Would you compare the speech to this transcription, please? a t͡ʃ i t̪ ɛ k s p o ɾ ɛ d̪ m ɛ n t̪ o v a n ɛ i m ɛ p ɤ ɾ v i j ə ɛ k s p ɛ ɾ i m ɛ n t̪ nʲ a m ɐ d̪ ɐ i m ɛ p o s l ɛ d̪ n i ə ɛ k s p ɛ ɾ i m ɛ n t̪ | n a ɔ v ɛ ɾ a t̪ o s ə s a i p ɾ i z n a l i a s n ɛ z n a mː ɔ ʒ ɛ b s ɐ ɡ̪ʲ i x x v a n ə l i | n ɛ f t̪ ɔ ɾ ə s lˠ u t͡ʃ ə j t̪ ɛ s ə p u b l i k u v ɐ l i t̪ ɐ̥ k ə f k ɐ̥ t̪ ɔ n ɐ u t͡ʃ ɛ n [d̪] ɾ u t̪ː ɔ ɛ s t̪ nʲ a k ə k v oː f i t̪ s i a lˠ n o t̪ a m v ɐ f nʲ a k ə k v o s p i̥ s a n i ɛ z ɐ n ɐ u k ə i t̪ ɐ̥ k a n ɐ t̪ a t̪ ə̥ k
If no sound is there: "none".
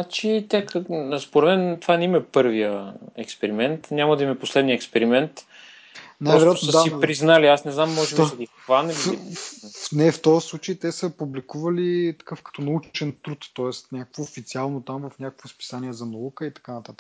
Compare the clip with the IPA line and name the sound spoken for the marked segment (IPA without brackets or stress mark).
t̪